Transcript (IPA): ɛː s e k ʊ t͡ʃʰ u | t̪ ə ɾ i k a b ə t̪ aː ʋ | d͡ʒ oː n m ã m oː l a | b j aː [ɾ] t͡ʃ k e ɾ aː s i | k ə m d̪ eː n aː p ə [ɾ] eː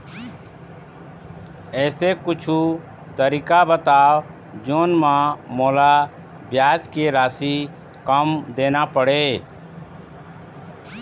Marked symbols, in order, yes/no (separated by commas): no, no